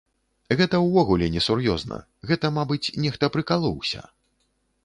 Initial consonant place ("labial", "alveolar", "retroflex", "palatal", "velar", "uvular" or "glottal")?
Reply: velar